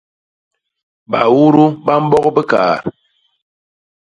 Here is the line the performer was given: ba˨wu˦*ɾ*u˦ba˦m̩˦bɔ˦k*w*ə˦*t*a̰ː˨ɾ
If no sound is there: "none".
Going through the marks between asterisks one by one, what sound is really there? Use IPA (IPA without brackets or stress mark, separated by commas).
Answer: ɾ, b, k